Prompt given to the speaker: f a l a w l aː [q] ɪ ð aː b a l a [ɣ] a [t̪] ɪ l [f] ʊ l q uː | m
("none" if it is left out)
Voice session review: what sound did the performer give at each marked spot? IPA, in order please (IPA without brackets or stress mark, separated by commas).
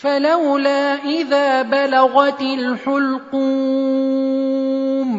ʔ, ɣ, t̪, ħ